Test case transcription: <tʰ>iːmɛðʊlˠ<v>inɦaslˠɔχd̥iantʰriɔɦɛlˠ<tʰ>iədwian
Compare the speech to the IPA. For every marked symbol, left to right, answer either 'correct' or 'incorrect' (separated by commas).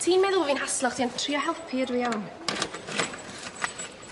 correct, correct, incorrect